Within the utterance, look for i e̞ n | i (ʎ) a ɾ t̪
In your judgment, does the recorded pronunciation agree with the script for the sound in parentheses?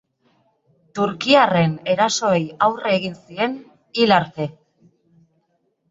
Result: no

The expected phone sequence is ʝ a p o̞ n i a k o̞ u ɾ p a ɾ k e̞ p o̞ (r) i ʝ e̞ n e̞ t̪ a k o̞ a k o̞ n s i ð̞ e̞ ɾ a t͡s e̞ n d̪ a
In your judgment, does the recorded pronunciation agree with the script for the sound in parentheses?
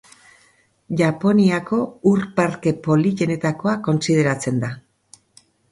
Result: no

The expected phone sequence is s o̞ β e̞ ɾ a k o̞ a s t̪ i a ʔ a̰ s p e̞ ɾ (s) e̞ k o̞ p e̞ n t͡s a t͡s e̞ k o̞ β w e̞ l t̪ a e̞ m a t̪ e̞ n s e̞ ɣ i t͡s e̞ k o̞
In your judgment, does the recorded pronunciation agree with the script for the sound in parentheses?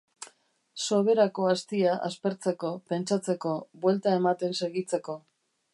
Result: no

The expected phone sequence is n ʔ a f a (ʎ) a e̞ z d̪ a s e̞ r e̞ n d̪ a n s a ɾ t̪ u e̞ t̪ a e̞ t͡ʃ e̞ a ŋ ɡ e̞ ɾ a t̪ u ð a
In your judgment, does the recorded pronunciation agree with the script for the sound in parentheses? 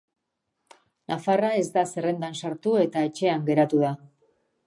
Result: no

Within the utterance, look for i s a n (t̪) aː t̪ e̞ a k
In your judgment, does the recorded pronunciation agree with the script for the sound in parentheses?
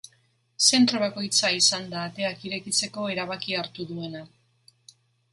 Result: no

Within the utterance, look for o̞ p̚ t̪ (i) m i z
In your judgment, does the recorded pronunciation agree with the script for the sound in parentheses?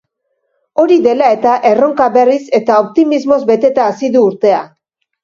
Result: yes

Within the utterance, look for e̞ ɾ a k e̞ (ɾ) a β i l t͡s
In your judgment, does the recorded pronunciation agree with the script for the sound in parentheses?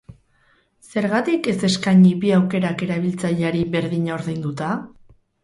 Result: yes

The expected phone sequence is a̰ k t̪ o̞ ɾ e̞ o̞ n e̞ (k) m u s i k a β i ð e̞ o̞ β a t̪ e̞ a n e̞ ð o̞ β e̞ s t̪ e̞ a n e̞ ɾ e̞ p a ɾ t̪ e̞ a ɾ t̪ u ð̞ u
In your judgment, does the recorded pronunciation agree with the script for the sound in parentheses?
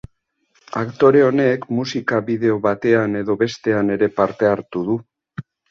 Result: yes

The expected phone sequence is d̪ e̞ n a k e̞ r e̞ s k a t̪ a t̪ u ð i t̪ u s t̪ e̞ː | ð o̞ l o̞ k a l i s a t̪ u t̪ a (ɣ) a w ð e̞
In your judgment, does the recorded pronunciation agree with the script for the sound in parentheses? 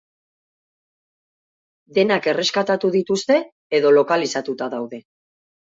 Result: no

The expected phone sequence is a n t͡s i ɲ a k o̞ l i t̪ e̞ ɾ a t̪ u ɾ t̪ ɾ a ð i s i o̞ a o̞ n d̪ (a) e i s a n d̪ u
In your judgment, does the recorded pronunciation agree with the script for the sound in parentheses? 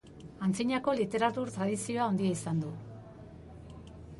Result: no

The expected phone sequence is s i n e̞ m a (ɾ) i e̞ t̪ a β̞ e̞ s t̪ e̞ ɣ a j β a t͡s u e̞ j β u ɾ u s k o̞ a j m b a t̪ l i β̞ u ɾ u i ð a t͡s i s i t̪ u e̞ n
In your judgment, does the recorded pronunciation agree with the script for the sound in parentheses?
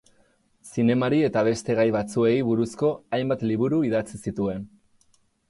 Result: yes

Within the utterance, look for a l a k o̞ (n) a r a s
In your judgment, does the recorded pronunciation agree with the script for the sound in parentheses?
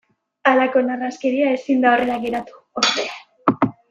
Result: yes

